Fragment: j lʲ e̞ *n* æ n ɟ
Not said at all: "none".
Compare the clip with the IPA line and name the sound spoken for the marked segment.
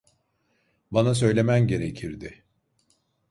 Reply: m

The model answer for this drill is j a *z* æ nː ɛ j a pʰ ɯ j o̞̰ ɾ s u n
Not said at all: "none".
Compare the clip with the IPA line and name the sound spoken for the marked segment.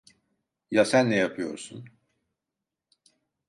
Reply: s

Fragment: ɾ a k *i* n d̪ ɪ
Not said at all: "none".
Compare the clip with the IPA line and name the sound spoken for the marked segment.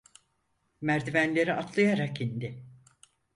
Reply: i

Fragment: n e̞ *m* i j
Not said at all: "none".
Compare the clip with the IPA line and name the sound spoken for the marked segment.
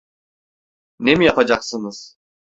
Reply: m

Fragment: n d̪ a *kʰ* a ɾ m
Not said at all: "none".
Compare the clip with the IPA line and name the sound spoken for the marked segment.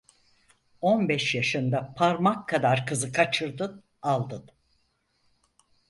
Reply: pʰ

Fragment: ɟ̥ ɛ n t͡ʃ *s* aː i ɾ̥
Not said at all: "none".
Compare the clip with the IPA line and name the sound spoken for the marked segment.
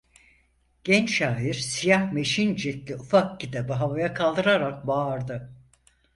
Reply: ʃ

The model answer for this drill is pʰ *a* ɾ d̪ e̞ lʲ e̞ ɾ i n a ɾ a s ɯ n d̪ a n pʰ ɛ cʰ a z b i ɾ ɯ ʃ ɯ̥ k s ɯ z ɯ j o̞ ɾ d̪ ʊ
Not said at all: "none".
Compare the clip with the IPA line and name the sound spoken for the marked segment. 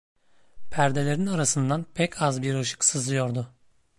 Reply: æ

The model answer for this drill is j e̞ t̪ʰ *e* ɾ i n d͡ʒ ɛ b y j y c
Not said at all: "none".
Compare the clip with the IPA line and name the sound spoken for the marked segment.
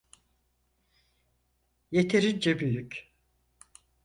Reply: e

